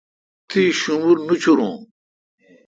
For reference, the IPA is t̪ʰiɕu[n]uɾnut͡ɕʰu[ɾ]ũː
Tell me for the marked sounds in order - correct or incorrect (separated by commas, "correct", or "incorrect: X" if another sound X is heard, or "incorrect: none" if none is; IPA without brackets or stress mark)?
incorrect: m, correct